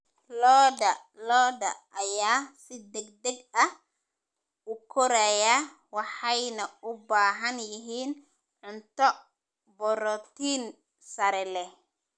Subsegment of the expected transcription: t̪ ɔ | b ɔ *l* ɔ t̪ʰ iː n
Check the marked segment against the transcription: incorrect: ɾ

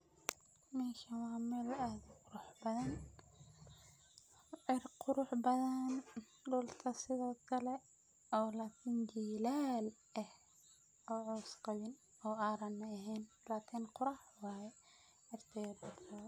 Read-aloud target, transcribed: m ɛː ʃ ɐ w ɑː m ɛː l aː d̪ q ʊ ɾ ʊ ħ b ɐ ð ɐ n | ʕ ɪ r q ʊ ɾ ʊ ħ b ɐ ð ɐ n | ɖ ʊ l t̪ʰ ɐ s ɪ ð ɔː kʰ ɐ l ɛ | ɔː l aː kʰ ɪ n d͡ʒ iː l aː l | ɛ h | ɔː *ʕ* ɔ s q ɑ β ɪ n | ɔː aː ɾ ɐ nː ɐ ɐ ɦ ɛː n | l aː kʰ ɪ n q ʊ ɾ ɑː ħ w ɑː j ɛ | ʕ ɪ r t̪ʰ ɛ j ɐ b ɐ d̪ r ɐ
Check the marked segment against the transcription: correct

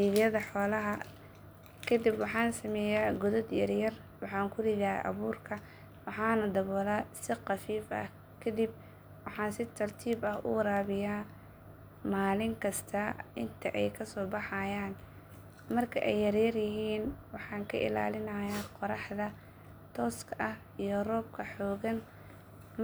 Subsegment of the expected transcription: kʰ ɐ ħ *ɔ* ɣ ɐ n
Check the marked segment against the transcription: incorrect: ɔː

